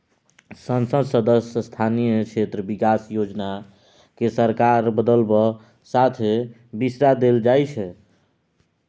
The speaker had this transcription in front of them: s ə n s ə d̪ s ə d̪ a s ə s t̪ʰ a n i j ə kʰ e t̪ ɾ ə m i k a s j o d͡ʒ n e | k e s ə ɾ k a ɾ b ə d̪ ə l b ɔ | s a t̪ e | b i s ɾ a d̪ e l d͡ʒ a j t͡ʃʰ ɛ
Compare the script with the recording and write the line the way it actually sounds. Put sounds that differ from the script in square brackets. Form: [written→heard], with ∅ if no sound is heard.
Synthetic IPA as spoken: s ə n s ə d̪ s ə d̪ [a→ə] s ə s t̪ʰ a n i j ə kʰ e t̪ ɾ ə [m→b] i k a s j o d͡ʒ n [e→a] | k e s ə ɾ k a ɾ b ə d̪ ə l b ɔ | s a [t̪→t̪ʰ] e | b i s ɾ a d̪ e l d͡ʒ a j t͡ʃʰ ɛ